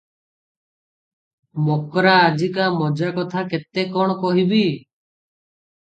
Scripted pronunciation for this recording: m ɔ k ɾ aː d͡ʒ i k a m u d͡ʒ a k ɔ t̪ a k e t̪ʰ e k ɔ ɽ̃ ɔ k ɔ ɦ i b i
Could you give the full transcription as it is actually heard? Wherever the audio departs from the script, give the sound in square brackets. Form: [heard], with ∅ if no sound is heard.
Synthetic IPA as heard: m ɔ k ɾ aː d͡ʒ i k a m [ɔ] d͡ʒ a k ɔ [t̪ʰ] a k e [t̪] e k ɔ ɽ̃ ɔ k ɔ ɦ i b i

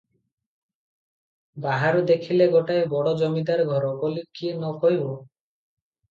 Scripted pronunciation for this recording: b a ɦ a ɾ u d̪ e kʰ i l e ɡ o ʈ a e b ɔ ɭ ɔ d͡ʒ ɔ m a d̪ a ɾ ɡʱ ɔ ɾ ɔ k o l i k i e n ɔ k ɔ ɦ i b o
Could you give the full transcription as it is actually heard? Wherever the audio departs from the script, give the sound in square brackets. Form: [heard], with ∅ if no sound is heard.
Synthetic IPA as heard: b a ɦ a ɾ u d̪ e kʰ i l e ɡ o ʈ a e b ɔ [ɽ] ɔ d͡ʒ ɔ m [i] d̪ a ɾ ɡʱ ɔ ɾ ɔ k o l i k i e n ɔ k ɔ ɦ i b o

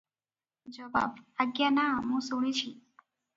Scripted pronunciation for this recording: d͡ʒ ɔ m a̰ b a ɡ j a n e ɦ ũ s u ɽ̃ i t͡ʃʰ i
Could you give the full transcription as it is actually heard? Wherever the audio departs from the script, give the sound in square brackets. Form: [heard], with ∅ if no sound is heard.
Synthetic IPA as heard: d͡ʒ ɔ [b] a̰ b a ɡ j a n [a] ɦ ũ s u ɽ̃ i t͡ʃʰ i

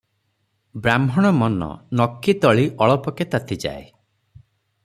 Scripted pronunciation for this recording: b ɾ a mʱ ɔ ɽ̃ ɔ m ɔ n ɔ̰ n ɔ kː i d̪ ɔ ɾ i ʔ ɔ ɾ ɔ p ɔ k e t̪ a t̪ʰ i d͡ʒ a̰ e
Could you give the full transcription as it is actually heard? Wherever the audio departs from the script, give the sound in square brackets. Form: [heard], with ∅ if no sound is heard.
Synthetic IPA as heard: b ɾ a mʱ ɔ ɽ̃ ɔ m ɔ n ɔ̰ n ɔ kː i [t̪] ɔ [ɭ] i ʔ ɔ [ɭ] ɔ p ɔ k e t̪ a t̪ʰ i d͡ʒ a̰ e

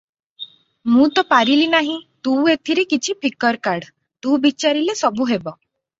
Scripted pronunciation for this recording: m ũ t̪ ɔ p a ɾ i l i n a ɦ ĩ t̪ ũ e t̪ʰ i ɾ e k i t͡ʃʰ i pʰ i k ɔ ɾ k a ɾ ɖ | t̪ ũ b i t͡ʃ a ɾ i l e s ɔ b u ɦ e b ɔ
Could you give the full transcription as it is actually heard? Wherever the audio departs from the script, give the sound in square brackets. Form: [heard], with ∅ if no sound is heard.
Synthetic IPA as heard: m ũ t̪ ɔ p a ɾ i l i n a ɦ ĩ t̪ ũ e t̪ʰ i ɾ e k i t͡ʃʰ i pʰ i k ɔ ɾ k a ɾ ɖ | t̪ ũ b i t͡ʃ a ɾ i l e s ɔ b u ɦ e b ɔ

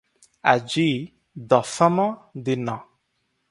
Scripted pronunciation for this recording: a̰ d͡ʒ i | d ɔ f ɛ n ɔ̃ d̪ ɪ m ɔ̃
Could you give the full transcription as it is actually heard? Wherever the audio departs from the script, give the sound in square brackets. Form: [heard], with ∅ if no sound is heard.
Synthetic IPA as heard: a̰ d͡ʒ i | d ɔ f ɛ [m] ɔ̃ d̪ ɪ [n] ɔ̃

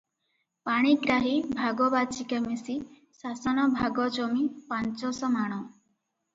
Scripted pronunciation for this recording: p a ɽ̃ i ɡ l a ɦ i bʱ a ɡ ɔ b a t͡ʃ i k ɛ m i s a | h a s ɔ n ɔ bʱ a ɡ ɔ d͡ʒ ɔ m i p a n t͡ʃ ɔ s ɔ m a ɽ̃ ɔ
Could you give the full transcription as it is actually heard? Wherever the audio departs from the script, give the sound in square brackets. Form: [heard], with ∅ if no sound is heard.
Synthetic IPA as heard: p a ɽ̃ i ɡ [ɾ] a ɦ i bʱ a ɡ ɔ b a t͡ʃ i k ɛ m i s [i] | [s] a s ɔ n ɔ bʱ a ɡ ɔ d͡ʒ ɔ m i p a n t͡ʃ ɔ s ɔ m a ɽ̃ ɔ

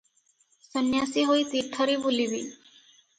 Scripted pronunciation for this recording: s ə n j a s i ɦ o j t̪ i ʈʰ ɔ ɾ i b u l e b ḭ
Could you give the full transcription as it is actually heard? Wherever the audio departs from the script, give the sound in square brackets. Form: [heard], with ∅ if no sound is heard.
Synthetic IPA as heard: s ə n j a s i ɦ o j t̪ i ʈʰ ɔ ɾ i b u l [i] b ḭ

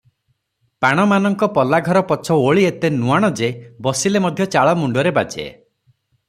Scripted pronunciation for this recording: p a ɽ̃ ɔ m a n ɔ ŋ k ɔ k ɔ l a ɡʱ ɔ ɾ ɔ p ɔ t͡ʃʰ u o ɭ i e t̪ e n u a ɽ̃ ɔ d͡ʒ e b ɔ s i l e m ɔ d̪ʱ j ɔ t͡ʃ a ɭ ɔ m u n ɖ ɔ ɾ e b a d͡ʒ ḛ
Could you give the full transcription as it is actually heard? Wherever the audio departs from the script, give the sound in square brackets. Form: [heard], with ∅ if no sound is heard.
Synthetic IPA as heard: p a ɽ̃ ɔ m a n ɔ ŋ k ɔ [p] ɔ l a ɡʱ ɔ ɾ ɔ p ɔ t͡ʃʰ [ɔ] o ɭ i e t̪ e n u a ɽ̃ ɔ d͡ʒ e b ɔ s i l e m ɔ d̪ʱ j ɔ t͡ʃ a ɭ ɔ m u [ɳ] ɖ ɔ ɾ e b a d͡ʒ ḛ

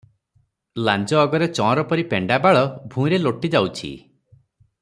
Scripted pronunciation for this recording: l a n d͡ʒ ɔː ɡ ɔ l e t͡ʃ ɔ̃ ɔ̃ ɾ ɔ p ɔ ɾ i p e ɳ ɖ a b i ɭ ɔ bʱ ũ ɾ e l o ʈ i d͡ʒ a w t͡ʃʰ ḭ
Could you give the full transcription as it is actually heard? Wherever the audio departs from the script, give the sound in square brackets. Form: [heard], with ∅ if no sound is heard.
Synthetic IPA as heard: l a n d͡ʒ ɔː ɡ ɔ [ɾ] e t͡ʃ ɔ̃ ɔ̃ ɾ ɔ p ɔ ɾ i p e ɳ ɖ a b [a] ɭ ɔ bʱ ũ ɾ e l o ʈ i d͡ʒ a w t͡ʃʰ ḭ

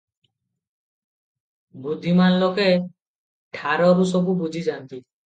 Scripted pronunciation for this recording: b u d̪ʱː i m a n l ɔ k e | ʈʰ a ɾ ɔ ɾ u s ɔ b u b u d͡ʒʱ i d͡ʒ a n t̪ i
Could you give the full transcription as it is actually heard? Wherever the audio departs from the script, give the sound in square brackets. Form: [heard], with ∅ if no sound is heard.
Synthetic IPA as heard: b u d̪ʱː i m a n l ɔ k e | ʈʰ a ɾ ɔ ɾ u s ɔ b u b u d͡ʒʱ i d͡ʒ a n t̪ i

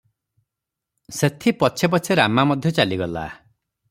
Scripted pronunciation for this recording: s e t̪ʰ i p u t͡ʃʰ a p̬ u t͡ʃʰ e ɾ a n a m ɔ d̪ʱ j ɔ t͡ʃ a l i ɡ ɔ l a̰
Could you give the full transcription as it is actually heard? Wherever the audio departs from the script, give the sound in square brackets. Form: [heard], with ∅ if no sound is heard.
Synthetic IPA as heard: s e t̪ʰ i p [ɔ] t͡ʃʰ [e] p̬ [ɔ] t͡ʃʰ e ɾ a [m] a m ɔ d̪ʱ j ɔ t͡ʃ a l i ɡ ɔ l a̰

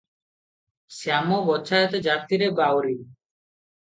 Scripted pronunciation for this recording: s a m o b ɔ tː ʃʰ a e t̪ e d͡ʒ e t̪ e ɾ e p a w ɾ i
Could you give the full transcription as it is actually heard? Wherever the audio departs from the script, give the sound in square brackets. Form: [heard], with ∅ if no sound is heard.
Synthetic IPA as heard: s a m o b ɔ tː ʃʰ a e t̪ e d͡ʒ [a] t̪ [i] ɾ e [b] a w ɾ i

